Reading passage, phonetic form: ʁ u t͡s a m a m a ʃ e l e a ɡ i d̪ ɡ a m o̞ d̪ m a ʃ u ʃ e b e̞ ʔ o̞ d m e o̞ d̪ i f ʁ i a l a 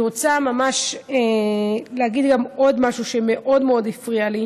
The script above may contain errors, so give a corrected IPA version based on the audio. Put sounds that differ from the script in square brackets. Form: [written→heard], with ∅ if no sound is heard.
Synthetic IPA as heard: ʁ [u→o] t͡s a m a m a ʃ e l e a ɡ i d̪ ɡ a m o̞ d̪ m a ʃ u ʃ e [b→m] e̞ ʔ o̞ d m e o̞ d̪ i f ʁ i a l [a→i]